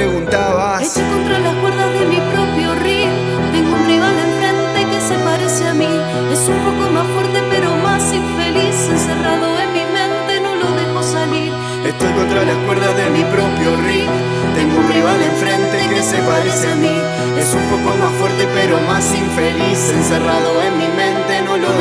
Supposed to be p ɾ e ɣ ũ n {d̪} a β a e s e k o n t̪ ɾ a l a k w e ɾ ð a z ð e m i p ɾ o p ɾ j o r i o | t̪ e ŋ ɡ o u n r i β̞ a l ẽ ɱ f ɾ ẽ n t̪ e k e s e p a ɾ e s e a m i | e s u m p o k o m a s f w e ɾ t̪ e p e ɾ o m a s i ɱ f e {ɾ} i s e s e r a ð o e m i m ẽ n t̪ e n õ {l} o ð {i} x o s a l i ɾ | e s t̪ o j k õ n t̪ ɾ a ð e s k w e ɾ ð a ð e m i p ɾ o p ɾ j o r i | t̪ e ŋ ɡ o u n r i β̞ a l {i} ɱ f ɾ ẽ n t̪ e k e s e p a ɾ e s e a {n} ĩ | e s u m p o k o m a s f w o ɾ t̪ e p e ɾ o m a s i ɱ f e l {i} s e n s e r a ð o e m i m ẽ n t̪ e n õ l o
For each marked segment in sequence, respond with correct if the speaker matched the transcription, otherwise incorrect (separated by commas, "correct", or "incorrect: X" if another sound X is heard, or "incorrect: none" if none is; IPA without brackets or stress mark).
incorrect: t̪, incorrect: l, correct, incorrect: e, incorrect: e, incorrect: m, correct